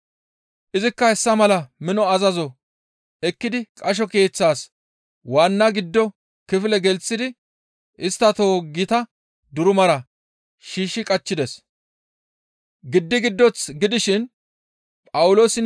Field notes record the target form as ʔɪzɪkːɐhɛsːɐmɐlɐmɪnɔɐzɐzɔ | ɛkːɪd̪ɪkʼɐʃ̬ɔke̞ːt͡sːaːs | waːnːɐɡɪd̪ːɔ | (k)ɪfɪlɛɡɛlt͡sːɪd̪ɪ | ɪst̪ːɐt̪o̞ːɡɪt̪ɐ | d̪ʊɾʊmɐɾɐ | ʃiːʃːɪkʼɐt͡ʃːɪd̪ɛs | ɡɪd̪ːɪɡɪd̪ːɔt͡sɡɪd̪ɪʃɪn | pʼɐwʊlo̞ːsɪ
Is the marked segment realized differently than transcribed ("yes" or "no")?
no